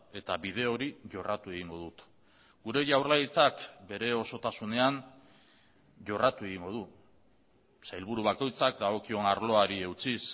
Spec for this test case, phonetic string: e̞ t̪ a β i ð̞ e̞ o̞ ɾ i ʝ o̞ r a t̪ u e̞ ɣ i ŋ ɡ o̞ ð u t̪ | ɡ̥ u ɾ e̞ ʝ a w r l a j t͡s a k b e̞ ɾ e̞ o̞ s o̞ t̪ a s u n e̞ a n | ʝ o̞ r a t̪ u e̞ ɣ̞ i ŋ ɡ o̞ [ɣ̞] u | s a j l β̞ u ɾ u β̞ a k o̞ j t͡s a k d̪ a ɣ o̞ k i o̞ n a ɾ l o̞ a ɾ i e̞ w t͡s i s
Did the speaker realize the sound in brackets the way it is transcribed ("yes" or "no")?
no